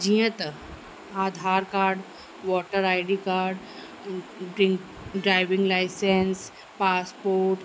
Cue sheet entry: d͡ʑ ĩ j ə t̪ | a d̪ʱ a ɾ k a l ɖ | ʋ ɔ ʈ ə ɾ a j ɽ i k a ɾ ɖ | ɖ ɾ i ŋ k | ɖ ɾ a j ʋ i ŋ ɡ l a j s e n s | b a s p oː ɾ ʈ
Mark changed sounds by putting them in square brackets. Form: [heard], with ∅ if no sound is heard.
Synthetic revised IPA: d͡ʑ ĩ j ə t̪ | a d̪ʱ a ɾ k a [ɾ] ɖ | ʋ ɔ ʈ ə ɾ a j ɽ i k a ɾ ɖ | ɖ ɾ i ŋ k | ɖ ɾ a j ʋ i ŋ ɡ l a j s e n s | [p] a s p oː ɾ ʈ